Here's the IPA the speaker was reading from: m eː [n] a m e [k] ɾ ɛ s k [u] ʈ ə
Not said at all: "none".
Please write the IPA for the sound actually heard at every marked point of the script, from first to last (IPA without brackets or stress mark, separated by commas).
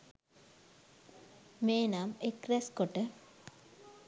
n, k, o